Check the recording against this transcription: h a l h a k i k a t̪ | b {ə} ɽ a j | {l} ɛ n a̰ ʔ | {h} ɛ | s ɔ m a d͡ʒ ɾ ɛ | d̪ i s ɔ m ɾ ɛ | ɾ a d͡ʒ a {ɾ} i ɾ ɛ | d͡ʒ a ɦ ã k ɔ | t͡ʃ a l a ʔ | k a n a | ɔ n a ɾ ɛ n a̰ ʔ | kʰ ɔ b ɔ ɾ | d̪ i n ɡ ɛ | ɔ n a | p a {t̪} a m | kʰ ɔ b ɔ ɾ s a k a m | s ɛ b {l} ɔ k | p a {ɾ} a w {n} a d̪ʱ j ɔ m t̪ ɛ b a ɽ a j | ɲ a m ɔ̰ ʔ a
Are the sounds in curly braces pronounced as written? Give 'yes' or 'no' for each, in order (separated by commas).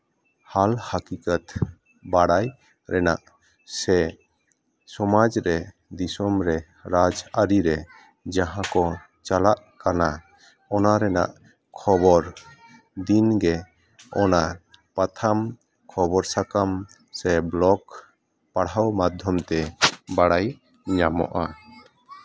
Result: no, no, no, yes, no, yes, no, no